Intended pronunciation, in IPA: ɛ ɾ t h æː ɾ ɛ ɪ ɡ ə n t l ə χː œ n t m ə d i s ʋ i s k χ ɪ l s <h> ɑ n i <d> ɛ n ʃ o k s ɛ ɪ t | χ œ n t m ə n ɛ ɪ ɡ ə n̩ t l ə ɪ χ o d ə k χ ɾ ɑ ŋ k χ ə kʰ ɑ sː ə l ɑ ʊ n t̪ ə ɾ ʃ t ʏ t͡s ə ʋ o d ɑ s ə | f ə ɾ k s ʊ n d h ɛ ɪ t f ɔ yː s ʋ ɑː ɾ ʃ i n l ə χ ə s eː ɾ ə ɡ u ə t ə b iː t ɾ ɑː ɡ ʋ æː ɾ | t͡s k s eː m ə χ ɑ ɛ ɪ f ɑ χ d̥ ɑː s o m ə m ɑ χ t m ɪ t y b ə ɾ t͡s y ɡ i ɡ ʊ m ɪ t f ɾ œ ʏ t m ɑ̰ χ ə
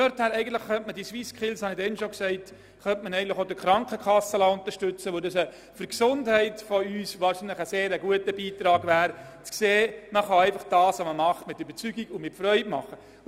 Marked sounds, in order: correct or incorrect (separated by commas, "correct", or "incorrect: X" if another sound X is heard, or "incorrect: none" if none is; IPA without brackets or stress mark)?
correct, correct